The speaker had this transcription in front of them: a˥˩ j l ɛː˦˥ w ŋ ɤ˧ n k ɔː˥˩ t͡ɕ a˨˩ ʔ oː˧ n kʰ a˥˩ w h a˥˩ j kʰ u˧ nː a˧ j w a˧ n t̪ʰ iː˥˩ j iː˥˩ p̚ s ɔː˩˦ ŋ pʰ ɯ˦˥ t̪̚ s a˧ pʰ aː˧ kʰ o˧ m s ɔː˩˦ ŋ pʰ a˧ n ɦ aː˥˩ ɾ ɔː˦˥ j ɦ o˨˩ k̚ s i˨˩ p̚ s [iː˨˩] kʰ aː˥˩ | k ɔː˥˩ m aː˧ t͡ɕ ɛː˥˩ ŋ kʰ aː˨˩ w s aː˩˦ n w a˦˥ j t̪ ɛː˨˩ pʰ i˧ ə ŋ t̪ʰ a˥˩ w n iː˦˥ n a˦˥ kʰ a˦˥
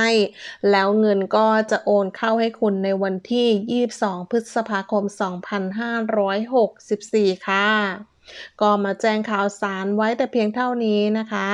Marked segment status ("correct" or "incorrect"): correct